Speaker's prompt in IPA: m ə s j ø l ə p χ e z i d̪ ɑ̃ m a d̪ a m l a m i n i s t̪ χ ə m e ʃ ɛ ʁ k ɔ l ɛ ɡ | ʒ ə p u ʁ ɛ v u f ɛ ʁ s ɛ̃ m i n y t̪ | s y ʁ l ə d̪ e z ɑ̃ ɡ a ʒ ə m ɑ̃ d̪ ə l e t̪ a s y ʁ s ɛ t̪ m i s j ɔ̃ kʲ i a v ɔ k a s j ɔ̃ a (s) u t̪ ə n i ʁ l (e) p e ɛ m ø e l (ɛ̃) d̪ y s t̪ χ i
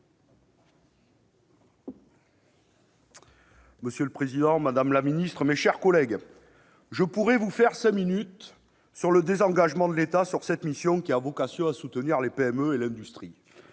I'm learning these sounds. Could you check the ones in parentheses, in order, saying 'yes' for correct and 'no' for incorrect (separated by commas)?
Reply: yes, yes, yes